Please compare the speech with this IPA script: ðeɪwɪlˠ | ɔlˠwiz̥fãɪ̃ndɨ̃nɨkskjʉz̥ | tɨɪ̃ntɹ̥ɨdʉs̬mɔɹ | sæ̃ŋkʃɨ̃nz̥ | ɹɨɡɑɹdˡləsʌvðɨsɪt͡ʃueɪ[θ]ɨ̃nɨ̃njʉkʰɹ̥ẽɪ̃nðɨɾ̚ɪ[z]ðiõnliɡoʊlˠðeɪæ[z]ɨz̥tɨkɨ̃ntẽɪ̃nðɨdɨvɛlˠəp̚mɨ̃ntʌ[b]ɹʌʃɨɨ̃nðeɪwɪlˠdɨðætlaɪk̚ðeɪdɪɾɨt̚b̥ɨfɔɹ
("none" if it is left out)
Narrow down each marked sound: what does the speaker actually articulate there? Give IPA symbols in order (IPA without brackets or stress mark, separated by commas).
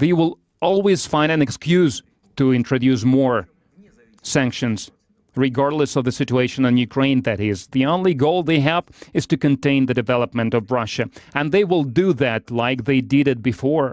ʃ, z, v, v